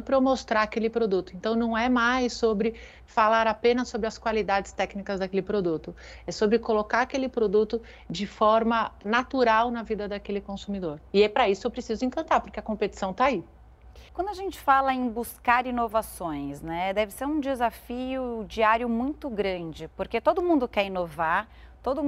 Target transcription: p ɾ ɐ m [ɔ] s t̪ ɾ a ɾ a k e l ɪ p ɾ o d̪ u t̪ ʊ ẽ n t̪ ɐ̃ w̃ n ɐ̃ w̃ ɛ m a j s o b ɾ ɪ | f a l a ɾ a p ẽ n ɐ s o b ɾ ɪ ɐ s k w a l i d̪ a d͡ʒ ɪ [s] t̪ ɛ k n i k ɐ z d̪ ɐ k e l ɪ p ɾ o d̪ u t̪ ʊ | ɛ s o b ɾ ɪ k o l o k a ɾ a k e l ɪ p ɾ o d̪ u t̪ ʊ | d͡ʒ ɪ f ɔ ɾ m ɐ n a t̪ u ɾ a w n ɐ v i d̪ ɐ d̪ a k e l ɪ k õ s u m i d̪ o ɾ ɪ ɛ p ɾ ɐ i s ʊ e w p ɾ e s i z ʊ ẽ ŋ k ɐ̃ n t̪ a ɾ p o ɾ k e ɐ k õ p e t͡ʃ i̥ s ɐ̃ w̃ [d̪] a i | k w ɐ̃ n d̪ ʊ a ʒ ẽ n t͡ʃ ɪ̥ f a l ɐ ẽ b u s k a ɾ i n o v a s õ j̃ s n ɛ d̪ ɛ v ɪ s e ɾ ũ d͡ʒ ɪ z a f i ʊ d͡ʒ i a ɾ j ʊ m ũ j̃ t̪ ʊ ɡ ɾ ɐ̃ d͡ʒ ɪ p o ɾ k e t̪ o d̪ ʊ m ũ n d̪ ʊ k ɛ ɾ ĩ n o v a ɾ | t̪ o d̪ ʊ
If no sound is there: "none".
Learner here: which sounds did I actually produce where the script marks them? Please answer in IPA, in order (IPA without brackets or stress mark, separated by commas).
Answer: o, s, t̪